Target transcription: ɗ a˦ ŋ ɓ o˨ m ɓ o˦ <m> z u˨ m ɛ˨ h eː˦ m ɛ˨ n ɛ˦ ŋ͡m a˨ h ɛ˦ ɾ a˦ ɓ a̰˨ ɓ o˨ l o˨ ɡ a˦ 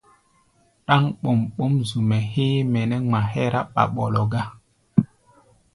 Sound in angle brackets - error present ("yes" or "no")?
no